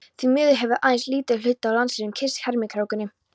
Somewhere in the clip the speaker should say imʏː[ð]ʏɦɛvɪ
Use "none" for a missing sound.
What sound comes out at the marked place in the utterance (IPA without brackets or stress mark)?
ð